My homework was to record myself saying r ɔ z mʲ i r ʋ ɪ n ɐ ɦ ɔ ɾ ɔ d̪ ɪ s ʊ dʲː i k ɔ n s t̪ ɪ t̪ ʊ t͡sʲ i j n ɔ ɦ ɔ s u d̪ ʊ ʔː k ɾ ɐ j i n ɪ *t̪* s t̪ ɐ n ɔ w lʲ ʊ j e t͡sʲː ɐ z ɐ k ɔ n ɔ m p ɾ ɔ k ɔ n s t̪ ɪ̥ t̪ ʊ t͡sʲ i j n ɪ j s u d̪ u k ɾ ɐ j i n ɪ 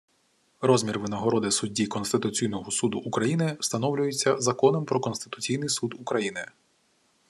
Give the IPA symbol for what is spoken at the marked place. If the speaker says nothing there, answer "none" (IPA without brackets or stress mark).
none